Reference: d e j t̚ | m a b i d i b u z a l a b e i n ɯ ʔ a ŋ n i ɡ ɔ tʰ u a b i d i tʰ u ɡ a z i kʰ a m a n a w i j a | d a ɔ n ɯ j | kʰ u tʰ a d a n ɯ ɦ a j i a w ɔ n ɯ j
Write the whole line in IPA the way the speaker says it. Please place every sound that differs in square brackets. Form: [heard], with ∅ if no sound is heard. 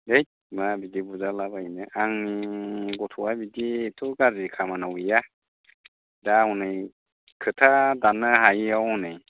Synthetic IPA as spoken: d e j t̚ | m a b i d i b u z a l a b [a] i n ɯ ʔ a ŋ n i ɡ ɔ tʰ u a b i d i tʰ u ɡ a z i kʰ a m a n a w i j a | d a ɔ n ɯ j | kʰ [ɯ] tʰ a d a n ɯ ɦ a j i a w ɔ n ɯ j